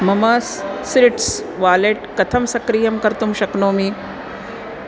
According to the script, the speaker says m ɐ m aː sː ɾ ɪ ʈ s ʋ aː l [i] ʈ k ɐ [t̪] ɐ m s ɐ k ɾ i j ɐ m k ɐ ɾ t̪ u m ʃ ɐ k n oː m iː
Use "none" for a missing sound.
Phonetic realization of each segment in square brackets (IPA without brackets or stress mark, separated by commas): e, t̪ʰ